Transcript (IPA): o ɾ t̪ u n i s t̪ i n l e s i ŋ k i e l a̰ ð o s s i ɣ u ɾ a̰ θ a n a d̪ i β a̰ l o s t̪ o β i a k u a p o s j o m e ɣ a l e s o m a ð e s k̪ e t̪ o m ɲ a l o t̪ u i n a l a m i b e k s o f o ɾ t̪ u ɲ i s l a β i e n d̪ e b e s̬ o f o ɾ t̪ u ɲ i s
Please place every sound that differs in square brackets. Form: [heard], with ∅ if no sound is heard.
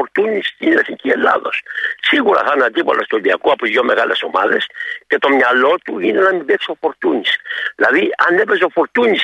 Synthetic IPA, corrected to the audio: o ɾ t̪ u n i s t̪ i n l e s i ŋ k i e l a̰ ð o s s i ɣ u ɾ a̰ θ a n a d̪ i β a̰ l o s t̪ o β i a k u a p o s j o m e ɣ a l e s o m a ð e s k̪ e t̪ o m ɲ a l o t̪ u i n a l a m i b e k s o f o ɾ t̪ u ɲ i s l a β i [a] n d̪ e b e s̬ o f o ɾ t̪ u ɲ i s